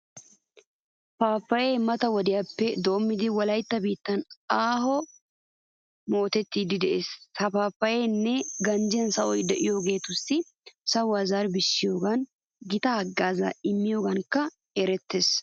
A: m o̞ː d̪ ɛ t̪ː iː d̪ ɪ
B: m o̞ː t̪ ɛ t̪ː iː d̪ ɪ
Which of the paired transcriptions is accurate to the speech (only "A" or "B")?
B